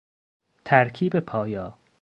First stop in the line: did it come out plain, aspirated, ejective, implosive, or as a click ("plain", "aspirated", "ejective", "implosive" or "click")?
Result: aspirated